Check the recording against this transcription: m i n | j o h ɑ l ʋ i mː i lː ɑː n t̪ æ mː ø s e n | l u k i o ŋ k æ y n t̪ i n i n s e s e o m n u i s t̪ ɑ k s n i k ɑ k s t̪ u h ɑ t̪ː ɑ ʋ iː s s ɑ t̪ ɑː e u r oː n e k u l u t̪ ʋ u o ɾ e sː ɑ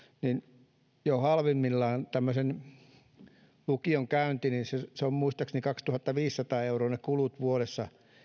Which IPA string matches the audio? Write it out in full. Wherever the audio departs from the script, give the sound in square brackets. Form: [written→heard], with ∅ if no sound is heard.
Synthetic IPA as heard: [m→n] i n | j o h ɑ l ʋ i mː i lː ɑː n t̪ æ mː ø s e n | l u k i o ŋ k æ y n t̪ i n i n s e s e o m [n→m] u i s t̪ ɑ k s n i k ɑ k s t̪ u h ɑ t̪ː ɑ ʋ iː s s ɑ t̪ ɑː e u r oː n e k u l u t̪ ʋ u o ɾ e sː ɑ

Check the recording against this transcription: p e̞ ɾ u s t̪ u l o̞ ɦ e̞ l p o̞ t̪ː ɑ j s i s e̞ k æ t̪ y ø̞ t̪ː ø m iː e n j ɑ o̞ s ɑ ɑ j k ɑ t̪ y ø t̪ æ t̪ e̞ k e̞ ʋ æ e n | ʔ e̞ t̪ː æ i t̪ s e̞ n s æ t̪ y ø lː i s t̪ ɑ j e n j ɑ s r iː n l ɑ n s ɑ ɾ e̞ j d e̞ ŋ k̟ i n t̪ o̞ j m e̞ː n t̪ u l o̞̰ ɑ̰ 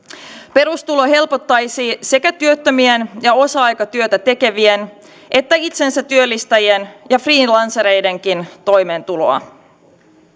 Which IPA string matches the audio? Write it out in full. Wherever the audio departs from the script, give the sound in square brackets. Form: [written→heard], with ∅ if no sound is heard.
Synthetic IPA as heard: p e̞ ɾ u s t̪ u l o̞ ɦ e̞ l p o̞ t̪ː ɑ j s i s e̞ k æ t̪ y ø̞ t̪ː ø m [iː→i] e n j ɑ o̞ s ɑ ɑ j k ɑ t̪ y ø t̪ æ t̪ e̞ k e̞ ʋ [æ→i] e n | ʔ e̞ t̪ː æ i t̪ s e̞ n s æ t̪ y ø lː i s t̪ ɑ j e n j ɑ [s→f] r iː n l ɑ n s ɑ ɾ e̞ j d e̞ ŋ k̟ i n t̪ o̞ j m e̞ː n t̪ u l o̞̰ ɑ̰

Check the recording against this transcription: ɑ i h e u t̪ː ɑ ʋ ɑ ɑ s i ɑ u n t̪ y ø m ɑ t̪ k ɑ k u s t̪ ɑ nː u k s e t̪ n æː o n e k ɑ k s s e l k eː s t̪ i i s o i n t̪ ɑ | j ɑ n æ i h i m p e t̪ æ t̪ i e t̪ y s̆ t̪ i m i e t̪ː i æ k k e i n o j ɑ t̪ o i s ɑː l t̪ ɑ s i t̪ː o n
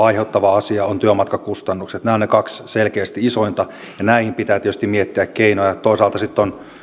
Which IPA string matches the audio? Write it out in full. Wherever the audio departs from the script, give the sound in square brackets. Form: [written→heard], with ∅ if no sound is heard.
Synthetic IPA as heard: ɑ i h e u t̪ː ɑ ʋ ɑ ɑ s i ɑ [u→o] n t̪ y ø m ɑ t̪ k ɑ k u s t̪ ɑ nː u k s e t̪ n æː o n e k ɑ k s s e l k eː s t̪ i i s o i n t̪ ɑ | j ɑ n æ i h i m p [e→i] t̪ [æ→æː] t̪ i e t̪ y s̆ t̪ i m i e t̪ː i æ k k e i n o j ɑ t̪ o i s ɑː l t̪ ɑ s i t̪ː o n

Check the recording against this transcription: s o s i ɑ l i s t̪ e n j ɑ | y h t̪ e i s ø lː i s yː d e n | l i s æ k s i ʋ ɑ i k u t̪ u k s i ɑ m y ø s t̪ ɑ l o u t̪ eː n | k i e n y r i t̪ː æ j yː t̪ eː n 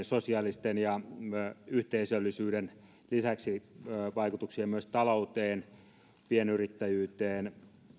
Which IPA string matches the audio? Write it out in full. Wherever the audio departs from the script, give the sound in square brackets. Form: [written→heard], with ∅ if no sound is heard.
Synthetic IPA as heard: s o s i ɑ l i s t̪ e n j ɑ | y h t̪ e i s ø lː i s yː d e n | l i s æ k s i ʋ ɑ i k u t̪ u k s i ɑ m y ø s t̪ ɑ l o u t̪ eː n | [k→p] i e n y r i t̪ː æ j yː t̪ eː n

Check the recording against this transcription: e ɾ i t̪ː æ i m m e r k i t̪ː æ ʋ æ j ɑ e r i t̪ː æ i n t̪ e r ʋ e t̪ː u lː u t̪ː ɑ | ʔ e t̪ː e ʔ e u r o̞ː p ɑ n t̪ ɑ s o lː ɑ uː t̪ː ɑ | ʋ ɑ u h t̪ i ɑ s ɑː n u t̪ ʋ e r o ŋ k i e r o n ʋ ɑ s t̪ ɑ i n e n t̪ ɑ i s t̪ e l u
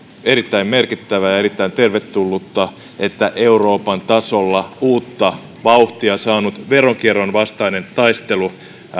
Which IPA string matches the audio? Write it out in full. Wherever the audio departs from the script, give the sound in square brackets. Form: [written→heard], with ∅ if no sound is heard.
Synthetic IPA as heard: e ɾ i t̪ː æ i m m e r k i t̪ː æ ʋ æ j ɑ e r i t̪ː æ i n t̪ e r ʋ e t̪ː u lː u t̪ː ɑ | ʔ e t̪ː [e→æ] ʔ e u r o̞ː p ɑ n t̪ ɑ s o lː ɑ uː t̪ː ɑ | ʋ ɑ u h t̪ i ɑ s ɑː n u t̪ ʋ e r o ŋ k i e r o n ʋ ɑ s t̪ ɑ i n e n t̪ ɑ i s t̪ e l u

